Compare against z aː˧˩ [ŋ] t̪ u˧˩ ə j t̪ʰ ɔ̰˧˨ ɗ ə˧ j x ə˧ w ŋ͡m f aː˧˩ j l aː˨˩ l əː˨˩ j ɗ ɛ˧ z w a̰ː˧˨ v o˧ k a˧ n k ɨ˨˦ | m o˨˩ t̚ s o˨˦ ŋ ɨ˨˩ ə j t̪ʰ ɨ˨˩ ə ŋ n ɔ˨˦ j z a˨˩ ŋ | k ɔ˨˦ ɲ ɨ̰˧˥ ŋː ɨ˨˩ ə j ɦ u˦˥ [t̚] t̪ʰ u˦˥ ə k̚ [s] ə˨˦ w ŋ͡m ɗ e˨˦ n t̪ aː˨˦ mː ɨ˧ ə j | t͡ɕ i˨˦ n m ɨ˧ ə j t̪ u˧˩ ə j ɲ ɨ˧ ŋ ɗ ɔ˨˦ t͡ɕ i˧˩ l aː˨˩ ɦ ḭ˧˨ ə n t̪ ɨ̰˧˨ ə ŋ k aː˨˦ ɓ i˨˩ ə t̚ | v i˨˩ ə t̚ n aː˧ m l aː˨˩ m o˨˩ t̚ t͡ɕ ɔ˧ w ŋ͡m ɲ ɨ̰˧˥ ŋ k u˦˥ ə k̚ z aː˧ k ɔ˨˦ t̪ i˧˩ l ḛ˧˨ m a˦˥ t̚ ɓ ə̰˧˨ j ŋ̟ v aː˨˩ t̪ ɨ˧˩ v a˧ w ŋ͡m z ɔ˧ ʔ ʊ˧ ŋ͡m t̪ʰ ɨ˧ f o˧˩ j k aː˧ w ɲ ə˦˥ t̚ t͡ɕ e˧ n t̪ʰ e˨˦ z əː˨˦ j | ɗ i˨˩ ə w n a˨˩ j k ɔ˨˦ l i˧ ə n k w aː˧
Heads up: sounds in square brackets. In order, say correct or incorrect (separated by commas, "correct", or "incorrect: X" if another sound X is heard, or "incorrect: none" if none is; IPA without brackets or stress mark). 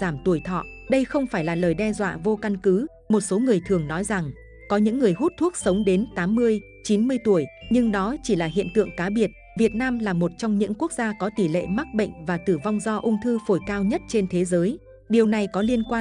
incorrect: m, correct, correct